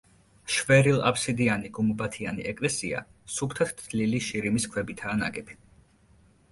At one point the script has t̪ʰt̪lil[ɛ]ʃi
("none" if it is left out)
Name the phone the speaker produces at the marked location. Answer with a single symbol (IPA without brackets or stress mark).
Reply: i